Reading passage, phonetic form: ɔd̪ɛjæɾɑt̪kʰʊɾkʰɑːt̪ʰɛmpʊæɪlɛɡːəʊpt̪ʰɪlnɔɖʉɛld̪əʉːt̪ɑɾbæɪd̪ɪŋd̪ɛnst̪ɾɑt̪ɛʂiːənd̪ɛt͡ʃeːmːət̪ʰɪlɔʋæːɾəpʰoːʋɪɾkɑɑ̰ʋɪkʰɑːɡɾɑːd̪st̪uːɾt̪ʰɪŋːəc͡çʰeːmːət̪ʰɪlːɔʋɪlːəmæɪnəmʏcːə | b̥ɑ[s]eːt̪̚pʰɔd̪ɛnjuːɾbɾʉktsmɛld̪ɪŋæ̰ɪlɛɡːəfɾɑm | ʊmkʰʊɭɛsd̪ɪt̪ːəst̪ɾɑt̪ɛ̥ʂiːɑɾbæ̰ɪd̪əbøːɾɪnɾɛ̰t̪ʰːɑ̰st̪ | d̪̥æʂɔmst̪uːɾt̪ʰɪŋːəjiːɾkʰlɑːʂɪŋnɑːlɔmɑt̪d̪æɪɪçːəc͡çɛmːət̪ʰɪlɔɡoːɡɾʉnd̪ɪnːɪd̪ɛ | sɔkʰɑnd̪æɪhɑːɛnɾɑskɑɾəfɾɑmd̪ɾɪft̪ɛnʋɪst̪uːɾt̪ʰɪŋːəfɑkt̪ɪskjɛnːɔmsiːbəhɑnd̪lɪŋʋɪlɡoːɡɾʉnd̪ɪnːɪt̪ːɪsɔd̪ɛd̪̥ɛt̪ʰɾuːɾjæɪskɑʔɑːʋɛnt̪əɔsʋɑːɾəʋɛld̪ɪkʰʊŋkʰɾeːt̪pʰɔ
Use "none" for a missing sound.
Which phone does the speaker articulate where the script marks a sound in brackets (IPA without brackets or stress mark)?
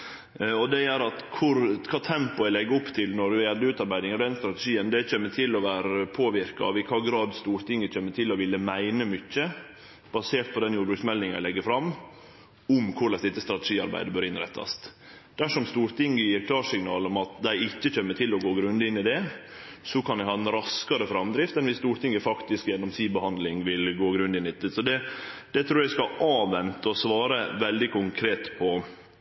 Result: s